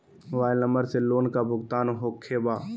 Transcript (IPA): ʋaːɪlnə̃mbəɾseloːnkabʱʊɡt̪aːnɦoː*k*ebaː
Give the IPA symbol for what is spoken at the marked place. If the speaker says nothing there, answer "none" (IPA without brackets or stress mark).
kʰ